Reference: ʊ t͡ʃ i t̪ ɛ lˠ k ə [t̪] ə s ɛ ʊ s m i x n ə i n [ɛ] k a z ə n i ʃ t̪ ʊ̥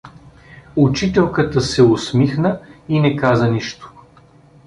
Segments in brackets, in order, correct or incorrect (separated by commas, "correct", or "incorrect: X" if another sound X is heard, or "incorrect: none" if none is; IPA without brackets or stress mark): correct, correct